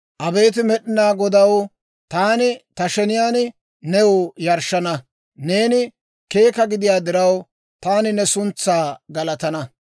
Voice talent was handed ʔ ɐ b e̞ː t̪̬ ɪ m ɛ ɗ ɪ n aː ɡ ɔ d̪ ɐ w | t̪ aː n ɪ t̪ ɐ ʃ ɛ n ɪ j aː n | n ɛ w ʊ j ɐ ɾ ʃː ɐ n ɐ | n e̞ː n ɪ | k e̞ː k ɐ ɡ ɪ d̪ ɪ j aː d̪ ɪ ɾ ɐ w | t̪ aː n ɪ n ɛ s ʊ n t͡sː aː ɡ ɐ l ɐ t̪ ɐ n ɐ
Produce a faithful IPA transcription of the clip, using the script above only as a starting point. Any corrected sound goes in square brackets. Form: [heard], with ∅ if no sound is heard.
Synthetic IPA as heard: ʔ ɐ b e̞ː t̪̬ ɪ m ɛ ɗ ɪ n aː ɡ ɔ d̪ ɐ w | t̪ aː n ɪ t̪ ɐ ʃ ɛ n ɪ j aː n | n ɛ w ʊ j ɐ ɾ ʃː ɐ n ɐ | n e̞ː n ɪ | k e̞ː k ɐ ɡ ɪ d̪ ɪ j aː d̪ ɪ ɾ ɐ w | t̪ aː n ɪ n ɛ s ʊ n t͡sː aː ɡ ɐ l ɐ t̪ ɐ n ɐ